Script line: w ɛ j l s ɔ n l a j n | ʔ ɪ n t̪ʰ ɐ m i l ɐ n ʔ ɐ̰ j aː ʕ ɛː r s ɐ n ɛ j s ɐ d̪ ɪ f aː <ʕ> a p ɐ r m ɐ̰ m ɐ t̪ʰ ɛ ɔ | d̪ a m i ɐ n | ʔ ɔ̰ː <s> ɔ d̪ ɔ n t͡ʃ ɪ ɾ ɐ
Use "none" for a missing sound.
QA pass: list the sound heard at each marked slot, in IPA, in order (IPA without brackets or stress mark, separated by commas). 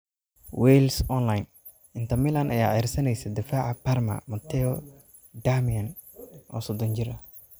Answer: ʕ, s